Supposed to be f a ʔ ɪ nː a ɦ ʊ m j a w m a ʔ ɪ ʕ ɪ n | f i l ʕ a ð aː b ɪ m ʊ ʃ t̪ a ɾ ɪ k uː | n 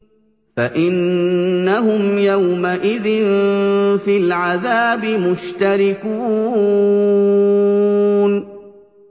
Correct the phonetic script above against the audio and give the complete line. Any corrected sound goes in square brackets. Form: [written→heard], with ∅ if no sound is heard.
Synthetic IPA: f a ʔ ɪ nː a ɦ ʊ m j a w m a ʔ ɪ [ʕ→ð] ɪ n | f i l ʕ a ð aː b ɪ m ʊ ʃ t̪ a ɾ ɪ k uː | n